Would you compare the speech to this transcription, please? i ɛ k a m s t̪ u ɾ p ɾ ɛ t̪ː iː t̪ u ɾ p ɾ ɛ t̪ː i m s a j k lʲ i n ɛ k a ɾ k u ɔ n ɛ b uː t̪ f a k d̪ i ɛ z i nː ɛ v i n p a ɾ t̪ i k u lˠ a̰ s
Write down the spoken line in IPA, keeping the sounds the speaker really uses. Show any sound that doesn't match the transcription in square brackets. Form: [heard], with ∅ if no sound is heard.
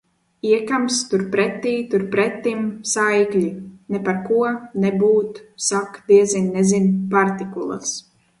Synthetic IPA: i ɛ k a m s t̪ u ɾ p ɾ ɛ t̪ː iː t̪ u ɾ p ɾ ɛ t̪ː i m s a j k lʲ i n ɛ [p] a ɾ k u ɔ n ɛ b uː t̪ [s] a k d̪ i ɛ z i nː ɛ [z] i n p a ɾ t̪ i k u lˠ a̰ s